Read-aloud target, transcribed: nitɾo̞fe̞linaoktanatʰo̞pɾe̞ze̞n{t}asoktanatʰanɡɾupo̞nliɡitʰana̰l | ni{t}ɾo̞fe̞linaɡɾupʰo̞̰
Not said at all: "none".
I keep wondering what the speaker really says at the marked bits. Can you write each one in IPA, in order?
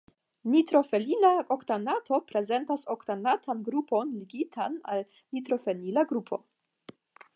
t, t

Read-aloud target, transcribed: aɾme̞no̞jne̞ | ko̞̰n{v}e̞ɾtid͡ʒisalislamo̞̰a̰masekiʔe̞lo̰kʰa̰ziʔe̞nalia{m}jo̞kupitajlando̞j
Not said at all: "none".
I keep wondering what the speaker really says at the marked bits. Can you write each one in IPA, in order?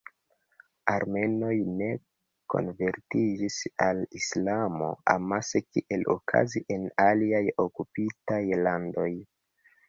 v, none

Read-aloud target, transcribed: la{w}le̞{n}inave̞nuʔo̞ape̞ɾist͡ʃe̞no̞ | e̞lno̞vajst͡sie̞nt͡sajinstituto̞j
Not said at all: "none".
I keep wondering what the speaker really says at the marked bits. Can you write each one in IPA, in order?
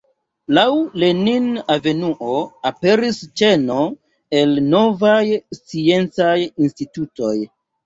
w, n

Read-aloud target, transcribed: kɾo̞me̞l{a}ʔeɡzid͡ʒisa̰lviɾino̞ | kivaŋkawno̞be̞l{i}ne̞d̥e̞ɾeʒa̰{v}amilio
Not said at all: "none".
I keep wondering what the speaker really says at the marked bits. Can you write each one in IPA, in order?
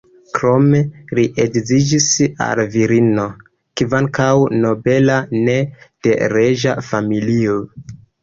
i, a, f

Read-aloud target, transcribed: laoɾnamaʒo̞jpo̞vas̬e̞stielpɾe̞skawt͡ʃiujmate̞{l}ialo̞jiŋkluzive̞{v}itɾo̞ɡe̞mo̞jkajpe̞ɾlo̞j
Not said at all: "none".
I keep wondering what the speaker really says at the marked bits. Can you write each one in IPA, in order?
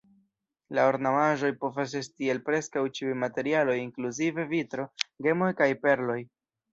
ɾ, v

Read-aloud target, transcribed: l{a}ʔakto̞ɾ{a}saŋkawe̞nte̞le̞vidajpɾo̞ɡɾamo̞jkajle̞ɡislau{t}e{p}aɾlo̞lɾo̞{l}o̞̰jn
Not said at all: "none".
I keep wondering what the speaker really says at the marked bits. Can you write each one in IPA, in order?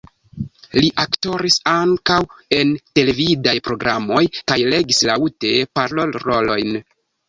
i, i, t, p, l

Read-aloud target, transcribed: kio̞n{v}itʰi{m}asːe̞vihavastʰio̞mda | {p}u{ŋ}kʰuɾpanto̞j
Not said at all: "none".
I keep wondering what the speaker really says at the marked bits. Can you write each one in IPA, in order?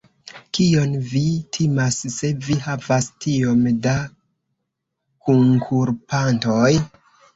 v, m, k, ŋ

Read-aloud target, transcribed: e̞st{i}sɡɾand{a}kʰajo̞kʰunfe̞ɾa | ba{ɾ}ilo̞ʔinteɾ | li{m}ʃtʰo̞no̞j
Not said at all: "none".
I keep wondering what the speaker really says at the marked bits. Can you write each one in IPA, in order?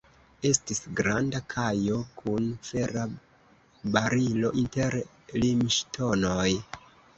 i, a, ɾ, m

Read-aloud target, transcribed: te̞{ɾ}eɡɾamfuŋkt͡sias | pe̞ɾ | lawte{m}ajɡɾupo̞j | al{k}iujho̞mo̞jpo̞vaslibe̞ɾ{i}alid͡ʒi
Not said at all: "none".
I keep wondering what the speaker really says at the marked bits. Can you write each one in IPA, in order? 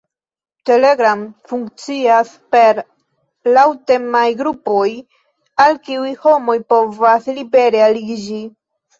l, m, k, e

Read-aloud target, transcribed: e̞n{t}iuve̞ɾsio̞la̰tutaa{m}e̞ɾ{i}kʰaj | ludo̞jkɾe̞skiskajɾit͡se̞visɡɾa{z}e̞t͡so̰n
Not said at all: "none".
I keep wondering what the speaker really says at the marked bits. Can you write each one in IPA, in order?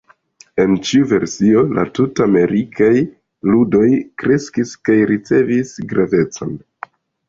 t͡ʃ, m, i, v

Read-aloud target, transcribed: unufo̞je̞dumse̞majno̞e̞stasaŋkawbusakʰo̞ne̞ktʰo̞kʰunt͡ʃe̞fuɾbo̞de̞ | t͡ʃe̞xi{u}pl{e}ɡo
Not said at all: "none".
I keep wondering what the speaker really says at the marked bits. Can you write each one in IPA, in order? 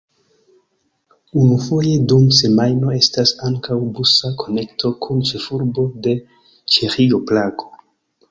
o, a

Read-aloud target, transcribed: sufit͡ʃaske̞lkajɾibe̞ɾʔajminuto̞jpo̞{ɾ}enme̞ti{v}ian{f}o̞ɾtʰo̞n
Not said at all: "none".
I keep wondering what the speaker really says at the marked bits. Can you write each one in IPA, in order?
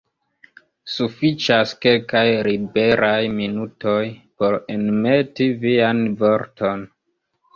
ɾ, v, v

